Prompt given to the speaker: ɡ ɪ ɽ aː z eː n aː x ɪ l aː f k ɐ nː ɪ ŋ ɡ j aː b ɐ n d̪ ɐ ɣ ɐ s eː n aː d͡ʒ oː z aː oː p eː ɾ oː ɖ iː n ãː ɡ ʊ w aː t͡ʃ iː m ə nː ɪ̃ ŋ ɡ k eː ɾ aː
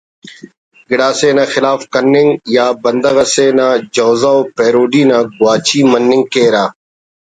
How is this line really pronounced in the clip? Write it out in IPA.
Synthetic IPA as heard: ɡ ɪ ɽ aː s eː n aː x ɪ l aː f k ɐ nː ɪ ŋ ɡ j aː b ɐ n d̪ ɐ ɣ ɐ s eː n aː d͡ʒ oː z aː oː p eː ɾ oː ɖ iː n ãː ɡ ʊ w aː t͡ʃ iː m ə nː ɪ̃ ŋ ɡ k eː ɾ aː